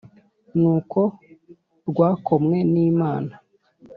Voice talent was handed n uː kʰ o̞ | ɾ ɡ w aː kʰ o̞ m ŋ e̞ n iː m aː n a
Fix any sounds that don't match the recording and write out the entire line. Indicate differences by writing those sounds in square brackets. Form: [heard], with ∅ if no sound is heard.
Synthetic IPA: n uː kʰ o̞ | ɾ ɡ w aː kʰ o̞ m ŋ e̞ n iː m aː n a